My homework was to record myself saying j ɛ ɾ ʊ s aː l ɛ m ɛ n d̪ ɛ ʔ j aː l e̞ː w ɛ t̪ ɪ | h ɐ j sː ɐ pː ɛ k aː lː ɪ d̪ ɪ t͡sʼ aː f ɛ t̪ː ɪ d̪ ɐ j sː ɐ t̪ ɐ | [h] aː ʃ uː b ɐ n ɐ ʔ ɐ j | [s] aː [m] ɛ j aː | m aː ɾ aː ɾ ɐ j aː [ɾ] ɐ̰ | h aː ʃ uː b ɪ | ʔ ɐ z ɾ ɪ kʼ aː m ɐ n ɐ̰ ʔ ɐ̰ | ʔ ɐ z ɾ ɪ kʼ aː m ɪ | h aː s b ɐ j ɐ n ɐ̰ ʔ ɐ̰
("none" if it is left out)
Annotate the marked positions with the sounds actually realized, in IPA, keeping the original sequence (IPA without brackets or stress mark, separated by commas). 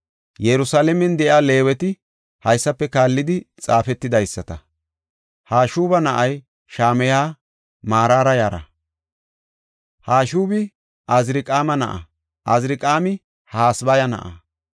h, ʃ, m, ɾ